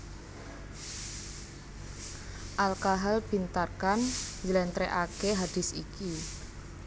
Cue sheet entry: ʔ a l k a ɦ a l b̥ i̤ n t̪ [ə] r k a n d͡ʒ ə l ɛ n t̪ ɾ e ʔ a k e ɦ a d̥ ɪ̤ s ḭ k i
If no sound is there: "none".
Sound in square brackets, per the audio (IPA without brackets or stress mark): a